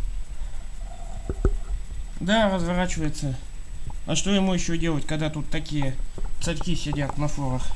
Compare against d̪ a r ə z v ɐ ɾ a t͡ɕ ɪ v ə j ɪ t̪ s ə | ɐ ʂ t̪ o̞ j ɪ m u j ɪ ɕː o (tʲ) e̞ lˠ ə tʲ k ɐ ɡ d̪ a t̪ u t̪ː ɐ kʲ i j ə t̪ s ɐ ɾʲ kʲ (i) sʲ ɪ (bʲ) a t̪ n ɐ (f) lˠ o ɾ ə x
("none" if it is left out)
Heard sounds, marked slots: dʲ, i, dʲ, f

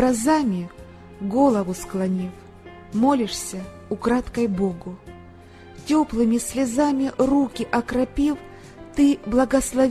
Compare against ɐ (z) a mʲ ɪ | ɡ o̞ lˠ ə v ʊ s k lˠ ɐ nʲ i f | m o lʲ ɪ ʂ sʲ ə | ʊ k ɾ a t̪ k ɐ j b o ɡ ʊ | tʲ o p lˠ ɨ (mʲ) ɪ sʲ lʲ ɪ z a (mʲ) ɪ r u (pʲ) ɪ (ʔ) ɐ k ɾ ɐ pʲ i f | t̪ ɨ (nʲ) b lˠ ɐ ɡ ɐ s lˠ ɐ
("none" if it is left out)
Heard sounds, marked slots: z, mʲ, mʲ, kʲ, ʔ, none

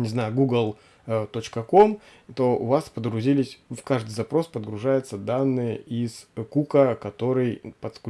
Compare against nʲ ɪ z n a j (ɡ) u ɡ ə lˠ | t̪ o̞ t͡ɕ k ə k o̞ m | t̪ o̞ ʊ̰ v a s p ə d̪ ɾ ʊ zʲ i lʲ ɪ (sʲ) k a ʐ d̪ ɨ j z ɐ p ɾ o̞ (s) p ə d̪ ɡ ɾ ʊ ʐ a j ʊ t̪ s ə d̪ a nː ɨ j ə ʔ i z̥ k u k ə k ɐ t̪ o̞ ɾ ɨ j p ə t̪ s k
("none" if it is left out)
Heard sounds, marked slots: ɡ, sʲ, s

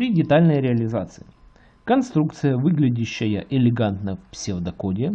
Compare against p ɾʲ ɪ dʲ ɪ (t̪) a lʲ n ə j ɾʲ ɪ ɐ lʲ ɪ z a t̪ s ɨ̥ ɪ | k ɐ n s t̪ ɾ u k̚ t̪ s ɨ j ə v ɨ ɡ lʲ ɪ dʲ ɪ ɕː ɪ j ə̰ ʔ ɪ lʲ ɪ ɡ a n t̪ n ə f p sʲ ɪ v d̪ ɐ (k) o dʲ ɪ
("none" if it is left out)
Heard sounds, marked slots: t̪, k

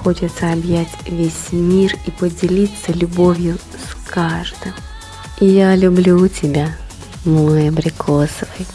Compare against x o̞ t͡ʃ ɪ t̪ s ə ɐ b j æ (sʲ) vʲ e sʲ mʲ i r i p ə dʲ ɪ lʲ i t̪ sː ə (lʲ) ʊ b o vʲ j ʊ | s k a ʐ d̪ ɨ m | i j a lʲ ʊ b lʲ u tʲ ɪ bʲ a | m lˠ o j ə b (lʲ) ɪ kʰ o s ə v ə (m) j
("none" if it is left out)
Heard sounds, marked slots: tʲ, lʲ, ɾʲ, none

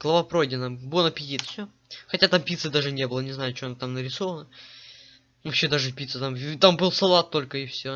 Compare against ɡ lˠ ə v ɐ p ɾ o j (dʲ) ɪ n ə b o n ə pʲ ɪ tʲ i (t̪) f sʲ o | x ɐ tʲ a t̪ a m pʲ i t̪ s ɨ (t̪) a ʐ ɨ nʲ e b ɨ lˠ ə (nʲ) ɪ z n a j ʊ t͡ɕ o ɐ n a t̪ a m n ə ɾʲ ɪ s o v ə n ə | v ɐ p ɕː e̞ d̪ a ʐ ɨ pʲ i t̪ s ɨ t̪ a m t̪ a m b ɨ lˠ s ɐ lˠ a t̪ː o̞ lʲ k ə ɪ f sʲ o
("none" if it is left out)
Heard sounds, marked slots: dʲ, t̪, d̪, nʲ

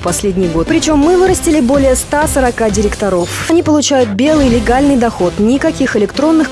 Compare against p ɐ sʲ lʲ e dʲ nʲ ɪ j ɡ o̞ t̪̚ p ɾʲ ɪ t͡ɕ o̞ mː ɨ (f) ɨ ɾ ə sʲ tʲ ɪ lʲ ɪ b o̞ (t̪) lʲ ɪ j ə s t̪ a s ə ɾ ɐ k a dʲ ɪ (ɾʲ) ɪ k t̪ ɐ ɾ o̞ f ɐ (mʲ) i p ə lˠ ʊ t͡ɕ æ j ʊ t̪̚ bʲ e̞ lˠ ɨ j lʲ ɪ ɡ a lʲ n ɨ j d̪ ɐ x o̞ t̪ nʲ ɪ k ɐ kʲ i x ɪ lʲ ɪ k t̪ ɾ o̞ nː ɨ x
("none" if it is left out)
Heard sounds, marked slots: v, none, ɾʲ, nʲ

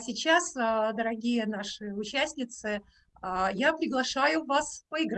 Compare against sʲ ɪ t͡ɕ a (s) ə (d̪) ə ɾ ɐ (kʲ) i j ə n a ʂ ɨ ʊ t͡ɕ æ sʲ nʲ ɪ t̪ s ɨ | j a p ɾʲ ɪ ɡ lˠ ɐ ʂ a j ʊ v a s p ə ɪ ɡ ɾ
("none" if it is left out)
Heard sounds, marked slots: s, d̪, ɡʲ

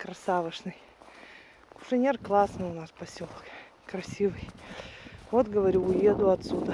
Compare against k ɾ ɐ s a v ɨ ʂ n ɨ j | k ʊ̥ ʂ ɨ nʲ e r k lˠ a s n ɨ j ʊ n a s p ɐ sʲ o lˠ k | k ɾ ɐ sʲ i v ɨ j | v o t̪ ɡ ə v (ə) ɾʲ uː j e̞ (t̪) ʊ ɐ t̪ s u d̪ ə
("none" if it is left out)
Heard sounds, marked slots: ɐ, d̪

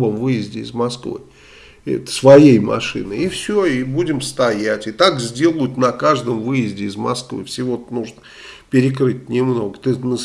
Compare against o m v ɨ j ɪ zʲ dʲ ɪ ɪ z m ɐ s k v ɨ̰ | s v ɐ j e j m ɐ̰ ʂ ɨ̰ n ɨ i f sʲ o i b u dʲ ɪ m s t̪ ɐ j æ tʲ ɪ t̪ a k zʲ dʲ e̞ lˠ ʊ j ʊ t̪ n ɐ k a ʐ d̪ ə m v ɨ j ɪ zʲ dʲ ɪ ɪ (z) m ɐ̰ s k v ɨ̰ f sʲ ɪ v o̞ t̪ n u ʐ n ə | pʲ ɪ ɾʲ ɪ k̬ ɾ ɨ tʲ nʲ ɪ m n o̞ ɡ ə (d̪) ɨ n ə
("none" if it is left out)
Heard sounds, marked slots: z, t̪

